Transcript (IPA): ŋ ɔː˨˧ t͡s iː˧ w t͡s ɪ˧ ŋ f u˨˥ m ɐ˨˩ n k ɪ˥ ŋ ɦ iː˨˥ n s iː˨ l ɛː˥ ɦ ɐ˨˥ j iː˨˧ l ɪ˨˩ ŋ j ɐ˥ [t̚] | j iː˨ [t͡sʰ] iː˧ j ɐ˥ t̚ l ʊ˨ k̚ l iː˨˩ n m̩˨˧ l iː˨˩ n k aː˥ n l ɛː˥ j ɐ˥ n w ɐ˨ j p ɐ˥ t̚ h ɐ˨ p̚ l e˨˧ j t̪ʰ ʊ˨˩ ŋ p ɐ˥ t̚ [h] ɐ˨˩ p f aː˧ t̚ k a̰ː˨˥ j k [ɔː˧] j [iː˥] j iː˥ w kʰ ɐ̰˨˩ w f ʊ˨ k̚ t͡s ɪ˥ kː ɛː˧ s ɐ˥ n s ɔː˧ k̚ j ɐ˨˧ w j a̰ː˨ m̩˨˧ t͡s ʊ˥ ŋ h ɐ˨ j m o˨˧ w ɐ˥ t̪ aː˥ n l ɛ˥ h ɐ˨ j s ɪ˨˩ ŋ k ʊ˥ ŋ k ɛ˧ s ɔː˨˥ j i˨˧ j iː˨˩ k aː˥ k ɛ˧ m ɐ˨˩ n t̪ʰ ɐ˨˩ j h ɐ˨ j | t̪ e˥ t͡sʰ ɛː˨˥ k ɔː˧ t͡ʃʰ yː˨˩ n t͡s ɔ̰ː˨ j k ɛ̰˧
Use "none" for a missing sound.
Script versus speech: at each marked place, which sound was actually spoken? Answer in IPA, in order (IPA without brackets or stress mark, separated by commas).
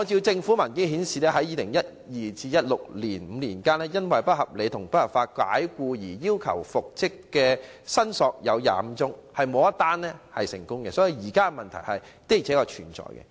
t̚, t͡s, h, uː˧, iː˨˩